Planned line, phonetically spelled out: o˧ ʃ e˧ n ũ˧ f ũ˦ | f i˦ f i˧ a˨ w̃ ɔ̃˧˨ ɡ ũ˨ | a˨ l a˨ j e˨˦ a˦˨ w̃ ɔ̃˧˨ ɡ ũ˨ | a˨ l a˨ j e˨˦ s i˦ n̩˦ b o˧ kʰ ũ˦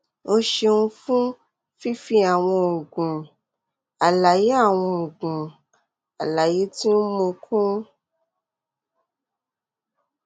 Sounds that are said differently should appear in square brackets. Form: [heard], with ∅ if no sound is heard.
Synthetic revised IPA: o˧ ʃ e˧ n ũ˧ f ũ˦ | f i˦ f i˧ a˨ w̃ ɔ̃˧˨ ɡ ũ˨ | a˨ l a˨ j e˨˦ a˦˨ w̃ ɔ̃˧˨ ɡ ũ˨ | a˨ l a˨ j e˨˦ [t] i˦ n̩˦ [m] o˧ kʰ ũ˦